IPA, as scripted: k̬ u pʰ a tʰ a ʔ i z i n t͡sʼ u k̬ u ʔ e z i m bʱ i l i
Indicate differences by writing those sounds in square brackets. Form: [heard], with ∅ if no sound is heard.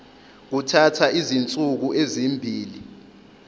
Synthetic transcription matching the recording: k̬ u [tʰ] a tʰ a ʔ i z i n t͡sʼ u k̬ u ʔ e z i m bʱ [iː] l i